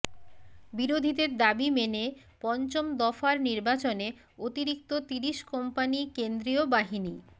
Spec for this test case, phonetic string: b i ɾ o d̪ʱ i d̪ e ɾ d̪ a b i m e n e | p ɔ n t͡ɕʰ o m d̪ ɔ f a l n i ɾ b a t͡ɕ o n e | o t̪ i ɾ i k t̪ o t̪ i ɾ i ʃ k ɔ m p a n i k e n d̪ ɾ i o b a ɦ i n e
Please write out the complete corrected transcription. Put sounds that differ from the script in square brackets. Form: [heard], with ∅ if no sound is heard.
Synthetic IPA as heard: b i ɾ o d̪ʱ i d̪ e ɾ d̪ a b i m e n e | p ɔ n [t͡ɕ] o m d̪ ɔ f a [ɾ] n i ɾ b a t͡ɕ o n e | o t̪ i ɾ i k t̪ o t̪ i ɾ i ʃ k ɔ m p a n i k e n d̪ ɾ i o b a ɦ i n [i]